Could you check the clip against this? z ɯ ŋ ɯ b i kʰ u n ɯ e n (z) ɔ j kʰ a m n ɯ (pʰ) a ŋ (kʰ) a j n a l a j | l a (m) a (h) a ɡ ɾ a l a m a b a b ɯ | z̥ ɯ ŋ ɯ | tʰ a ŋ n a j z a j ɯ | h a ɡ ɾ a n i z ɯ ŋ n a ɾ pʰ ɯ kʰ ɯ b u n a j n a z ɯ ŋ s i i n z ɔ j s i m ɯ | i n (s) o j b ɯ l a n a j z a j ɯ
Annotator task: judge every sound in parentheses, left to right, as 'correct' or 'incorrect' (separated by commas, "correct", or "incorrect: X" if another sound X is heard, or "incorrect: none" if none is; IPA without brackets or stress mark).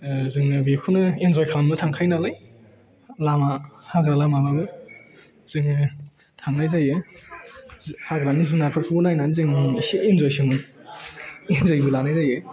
correct, incorrect: tʰ, correct, correct, correct, incorrect: z